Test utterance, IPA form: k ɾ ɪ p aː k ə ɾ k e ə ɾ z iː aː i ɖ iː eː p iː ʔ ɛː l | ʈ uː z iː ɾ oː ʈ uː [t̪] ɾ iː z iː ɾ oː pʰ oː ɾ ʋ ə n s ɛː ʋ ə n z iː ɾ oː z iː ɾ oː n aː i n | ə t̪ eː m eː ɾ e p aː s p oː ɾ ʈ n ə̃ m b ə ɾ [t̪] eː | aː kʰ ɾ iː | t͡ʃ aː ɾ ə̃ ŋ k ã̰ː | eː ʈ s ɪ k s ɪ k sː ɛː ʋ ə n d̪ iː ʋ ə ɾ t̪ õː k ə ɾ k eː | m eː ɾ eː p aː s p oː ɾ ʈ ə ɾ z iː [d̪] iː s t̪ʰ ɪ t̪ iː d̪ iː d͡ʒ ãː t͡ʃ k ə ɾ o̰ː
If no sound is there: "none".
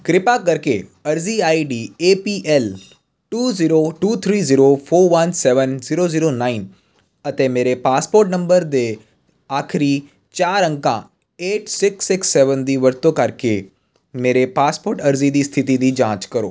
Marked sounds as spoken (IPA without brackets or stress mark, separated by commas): t̪ʰ, d̪, d̪